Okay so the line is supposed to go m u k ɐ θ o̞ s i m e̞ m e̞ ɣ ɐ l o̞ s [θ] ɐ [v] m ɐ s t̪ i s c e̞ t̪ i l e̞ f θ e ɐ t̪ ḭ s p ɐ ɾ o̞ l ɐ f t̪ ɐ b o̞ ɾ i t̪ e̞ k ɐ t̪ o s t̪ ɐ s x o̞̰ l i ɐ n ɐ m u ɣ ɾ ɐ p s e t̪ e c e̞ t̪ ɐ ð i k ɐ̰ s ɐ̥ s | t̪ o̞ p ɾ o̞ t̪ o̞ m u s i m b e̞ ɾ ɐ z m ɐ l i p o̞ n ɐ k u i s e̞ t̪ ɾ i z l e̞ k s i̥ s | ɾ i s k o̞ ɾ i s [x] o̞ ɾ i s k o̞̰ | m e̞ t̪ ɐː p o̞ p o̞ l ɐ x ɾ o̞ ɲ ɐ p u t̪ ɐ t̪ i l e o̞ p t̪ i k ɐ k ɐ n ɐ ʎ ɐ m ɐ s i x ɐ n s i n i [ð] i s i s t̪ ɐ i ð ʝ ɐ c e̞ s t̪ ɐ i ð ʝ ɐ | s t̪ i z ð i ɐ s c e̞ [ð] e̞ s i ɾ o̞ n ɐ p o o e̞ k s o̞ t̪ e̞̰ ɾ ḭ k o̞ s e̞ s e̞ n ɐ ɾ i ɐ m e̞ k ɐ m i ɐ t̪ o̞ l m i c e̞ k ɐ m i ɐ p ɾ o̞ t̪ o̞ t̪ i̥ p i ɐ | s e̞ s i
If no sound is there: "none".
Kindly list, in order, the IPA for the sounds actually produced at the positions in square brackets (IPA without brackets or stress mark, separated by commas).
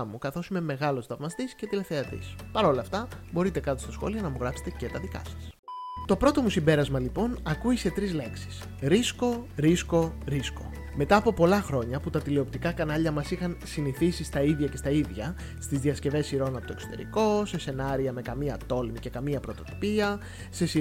θ, v, k, θ, v